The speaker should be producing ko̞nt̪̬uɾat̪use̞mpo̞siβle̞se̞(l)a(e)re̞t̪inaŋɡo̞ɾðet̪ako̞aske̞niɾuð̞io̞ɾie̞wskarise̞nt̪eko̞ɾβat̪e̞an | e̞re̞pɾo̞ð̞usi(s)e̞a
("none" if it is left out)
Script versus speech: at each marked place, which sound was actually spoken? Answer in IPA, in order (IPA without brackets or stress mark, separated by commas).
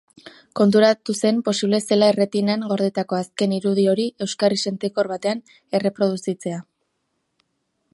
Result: l, e, t͡s